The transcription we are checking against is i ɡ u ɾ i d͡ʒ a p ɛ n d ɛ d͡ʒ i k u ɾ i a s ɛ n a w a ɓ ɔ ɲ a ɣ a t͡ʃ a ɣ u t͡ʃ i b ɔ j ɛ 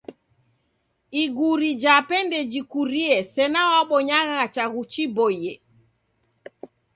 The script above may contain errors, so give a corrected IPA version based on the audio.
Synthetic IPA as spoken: i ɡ u ɾ i d͡ʒ a p ɛ n d ɛ d͡ʒ i k u ɾ i ɛ s ɛ n a w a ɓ ɔ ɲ a ɣ a t͡ʃ a ɣ u t͡ʃ i b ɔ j ɛ